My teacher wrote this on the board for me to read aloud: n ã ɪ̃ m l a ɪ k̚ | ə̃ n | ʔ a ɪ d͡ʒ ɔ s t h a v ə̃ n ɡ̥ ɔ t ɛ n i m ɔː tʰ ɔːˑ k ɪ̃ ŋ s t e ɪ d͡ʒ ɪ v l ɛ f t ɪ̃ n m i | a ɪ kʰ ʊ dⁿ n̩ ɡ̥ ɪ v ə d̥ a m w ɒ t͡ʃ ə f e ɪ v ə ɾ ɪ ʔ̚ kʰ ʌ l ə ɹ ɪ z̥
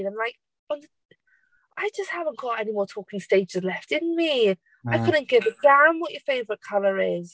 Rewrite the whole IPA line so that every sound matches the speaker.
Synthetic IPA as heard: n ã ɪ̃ m l a ɪ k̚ | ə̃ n | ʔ a ɪ d͡ʒ ʌ s t h a v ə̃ n ɡ̥ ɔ t ɛ n i m ɔː tʰ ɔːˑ k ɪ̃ ŋ s t e ɪ d͡ʒ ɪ z l ɛ f t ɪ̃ n m i | a ɪ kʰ ʊ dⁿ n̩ ɡ̥ ɪ v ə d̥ a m w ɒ t͡ʃ ə f e ɪ v ə ɹ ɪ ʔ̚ kʰ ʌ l ə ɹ ɪ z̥